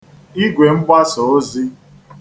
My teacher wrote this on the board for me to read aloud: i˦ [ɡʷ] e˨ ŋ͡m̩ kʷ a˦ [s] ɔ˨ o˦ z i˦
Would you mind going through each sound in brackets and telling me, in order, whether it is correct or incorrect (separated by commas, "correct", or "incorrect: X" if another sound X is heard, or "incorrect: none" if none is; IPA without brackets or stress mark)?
correct, correct